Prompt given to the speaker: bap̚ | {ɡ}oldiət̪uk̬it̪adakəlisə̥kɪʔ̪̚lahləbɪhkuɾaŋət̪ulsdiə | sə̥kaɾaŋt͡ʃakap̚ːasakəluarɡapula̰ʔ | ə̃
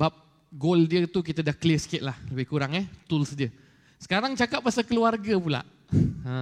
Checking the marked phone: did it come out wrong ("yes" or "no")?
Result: no